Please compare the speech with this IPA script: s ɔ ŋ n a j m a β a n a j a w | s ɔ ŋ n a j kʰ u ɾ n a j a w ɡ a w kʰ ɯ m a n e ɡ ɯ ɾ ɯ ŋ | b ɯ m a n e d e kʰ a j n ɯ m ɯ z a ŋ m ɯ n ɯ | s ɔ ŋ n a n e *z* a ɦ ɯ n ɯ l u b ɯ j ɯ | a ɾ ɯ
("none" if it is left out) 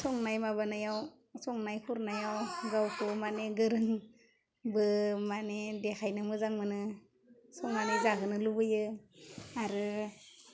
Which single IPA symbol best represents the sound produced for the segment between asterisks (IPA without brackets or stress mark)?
z